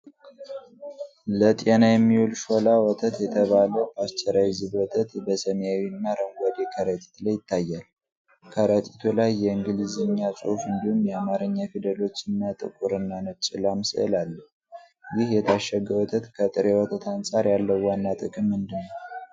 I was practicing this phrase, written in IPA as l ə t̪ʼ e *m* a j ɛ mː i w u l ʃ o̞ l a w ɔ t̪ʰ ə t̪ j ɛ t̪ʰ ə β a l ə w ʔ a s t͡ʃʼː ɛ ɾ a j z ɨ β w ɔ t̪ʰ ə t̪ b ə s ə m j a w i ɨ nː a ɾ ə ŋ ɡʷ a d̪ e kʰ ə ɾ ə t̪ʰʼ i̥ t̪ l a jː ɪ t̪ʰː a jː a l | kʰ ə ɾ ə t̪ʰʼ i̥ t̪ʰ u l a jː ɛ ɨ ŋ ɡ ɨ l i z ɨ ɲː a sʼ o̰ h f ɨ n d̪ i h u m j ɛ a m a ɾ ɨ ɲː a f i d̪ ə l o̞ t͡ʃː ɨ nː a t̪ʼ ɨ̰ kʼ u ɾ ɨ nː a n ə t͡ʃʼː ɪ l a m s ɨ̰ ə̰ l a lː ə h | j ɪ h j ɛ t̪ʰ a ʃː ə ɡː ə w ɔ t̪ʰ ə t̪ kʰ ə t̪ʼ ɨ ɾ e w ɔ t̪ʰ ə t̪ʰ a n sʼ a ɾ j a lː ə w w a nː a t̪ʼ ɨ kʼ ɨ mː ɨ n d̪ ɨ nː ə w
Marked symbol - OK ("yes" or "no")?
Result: no